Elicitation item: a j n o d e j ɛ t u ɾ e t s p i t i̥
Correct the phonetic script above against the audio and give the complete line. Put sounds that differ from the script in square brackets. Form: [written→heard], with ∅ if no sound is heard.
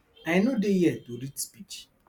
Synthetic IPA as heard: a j n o d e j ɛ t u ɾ [e→i] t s p i [t→t͡ʃ] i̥